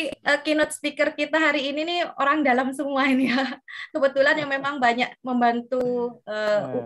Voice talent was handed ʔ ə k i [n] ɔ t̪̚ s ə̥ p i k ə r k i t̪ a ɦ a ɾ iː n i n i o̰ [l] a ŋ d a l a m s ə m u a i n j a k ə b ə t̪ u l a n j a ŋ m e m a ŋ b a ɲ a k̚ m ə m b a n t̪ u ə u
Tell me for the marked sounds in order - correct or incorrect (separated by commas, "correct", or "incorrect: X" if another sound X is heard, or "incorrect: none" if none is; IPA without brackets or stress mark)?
correct, incorrect: ɾ